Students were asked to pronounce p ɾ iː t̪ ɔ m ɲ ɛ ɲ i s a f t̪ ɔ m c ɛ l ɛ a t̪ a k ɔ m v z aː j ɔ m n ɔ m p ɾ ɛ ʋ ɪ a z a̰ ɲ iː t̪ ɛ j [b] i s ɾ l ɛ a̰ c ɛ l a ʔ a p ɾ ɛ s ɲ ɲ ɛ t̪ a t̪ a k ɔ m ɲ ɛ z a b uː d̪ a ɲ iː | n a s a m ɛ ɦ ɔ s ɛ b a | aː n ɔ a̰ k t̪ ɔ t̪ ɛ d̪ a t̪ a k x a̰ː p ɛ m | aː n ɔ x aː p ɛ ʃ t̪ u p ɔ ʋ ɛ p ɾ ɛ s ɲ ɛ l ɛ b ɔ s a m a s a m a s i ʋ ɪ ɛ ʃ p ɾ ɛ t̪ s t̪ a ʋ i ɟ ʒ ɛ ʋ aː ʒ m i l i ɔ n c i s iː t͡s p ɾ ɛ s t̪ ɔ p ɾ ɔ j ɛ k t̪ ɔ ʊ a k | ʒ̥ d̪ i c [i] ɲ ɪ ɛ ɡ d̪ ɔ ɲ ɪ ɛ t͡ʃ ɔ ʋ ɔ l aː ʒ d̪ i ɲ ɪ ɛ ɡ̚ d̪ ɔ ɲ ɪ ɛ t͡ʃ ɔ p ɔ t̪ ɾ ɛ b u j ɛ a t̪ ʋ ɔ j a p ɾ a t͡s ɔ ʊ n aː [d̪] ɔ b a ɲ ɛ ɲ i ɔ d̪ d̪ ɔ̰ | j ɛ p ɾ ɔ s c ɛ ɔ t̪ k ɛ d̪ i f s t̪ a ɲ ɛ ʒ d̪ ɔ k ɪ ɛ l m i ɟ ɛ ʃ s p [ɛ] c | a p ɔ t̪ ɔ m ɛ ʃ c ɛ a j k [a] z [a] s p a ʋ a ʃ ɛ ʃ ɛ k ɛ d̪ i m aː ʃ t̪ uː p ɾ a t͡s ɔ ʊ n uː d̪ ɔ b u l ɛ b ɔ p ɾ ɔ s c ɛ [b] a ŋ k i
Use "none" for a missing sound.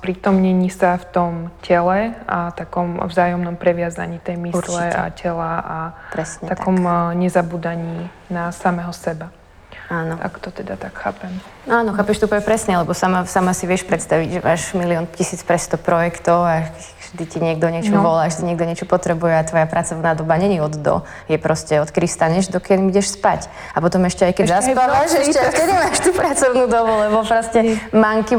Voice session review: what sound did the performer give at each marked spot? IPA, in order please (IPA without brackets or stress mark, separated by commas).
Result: m, i, d̪, a, ɛ, a, m